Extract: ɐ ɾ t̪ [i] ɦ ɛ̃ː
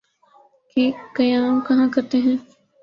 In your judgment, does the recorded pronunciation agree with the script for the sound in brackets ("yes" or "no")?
no